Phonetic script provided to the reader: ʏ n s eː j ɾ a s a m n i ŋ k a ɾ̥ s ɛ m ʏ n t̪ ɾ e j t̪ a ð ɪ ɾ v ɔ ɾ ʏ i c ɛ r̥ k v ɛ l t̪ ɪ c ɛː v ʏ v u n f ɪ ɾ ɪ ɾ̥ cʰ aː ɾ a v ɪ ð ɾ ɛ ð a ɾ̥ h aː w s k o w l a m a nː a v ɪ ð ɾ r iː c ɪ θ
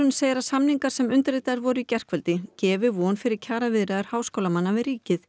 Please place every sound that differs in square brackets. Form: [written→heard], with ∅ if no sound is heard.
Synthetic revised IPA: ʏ n s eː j ɾ a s a m n i ŋ k a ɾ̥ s ɛ m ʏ n t̪ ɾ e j t̪ a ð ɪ ɾ v ɔ ɾ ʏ i c ɛ r̥ k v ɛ l t̪ ɪ c ɛː v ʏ v [u→ɔ] n f ɪ ɾ ɪ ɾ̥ cʰ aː ɾ a v ɪ ð ɾ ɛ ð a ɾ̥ h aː w s k o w l a m a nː a v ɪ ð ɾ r iː c ɪ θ